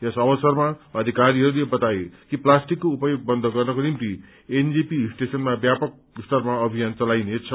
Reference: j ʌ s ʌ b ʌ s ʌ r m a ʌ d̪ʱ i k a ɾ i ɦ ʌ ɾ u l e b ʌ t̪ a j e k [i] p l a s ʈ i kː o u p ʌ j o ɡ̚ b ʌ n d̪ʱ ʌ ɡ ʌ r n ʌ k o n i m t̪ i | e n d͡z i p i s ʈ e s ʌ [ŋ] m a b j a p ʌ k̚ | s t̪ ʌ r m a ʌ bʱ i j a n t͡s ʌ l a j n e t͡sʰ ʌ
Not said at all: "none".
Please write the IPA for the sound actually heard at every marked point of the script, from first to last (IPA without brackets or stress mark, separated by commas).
i, n